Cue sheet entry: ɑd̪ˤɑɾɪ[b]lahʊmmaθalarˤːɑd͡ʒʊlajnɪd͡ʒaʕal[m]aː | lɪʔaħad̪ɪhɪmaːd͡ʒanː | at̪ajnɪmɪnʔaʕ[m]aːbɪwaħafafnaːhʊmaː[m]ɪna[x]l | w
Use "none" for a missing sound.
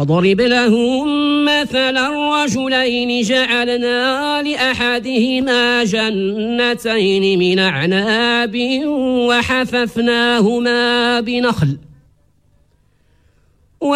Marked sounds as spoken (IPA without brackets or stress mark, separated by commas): b, n, n, b, x